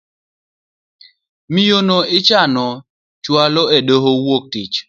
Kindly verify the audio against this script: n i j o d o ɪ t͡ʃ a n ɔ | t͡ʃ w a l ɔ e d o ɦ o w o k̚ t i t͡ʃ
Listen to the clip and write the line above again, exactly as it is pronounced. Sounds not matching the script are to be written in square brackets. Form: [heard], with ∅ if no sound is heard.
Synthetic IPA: [m] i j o [n] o ɪ t͡ʃ a n ɔ | t͡ʃ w a l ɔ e d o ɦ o w o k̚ t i t͡ʃ